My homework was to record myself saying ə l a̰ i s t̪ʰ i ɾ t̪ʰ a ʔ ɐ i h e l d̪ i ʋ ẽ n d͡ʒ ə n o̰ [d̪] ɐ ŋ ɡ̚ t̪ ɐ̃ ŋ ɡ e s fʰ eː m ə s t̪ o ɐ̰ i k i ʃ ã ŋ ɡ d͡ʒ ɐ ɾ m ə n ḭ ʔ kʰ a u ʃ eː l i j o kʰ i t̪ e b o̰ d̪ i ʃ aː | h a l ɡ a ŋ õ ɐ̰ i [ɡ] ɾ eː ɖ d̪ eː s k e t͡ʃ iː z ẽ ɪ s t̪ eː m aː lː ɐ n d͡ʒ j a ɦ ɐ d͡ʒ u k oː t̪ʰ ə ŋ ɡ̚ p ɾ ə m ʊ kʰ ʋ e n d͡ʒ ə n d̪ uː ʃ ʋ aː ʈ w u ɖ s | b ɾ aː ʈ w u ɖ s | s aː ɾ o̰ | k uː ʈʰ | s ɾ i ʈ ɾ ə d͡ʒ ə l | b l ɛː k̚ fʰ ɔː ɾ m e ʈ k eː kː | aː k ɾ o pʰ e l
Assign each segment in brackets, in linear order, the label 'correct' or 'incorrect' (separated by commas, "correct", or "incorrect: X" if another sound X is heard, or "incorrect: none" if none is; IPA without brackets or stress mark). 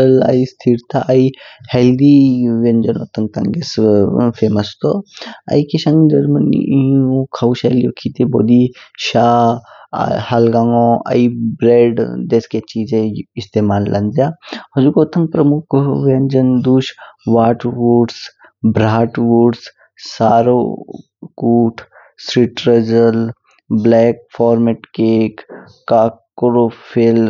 incorrect: t̪, incorrect: b